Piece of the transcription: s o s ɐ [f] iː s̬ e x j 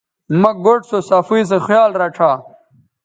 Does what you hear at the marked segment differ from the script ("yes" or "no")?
no